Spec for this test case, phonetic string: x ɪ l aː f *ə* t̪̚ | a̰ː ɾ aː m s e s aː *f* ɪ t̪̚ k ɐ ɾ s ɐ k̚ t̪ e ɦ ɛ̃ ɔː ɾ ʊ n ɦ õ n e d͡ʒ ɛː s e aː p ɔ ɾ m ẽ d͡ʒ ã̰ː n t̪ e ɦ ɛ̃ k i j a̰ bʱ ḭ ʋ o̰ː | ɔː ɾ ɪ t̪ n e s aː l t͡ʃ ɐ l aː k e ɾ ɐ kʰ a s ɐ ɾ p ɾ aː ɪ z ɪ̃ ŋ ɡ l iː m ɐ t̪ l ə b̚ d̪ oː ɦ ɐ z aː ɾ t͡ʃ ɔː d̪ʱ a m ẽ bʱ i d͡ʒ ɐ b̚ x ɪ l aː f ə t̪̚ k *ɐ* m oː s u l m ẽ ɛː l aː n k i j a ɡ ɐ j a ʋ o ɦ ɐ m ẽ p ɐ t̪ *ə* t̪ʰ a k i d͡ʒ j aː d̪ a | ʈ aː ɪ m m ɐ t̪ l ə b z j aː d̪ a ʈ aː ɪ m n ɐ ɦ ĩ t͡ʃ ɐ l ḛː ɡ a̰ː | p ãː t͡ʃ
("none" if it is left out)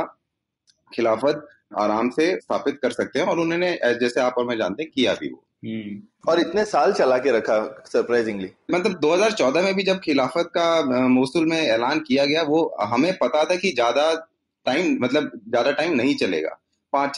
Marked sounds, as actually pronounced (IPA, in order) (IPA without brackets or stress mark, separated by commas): ə, f, a, a